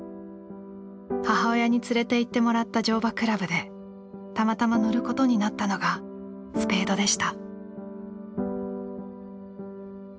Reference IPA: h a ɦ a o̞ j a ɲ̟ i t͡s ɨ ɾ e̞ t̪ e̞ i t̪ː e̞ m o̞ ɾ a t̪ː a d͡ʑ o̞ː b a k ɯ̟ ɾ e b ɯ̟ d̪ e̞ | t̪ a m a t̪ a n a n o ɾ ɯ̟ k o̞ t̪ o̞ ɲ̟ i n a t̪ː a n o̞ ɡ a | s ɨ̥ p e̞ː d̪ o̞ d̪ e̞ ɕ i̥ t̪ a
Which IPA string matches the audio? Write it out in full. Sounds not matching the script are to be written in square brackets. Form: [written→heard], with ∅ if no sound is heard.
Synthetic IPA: h a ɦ a o̞ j a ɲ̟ i t͡s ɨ ɾ e̞ t̪ e̞ i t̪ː e̞ m o̞ ɾ a t̪ː a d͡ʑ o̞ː b a k ɯ̟ ɾ [e→a] b ɯ̟ d̪ e̞ | t̪ a m a t̪ a [n→m] a n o ɾ ɯ̟ k o̞ t̪ o̞ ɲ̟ i n a t̪ː a n o̞ ɡ a | s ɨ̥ p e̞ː d̪ o̞ d̪ e̞ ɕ i̥ t̪ a